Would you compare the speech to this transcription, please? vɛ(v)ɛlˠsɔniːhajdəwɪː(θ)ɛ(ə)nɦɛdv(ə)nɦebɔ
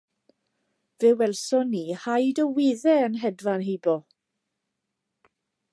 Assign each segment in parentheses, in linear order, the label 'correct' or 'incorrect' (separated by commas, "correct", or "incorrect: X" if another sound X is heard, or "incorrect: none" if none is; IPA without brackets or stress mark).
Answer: incorrect: w, incorrect: ð, correct, incorrect: a